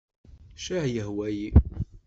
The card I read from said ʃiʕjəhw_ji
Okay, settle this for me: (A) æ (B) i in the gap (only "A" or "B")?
A